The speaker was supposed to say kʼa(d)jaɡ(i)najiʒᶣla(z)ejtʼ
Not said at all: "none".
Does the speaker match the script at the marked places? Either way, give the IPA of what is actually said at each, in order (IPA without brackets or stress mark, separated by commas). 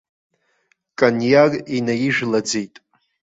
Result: n, i, d͡z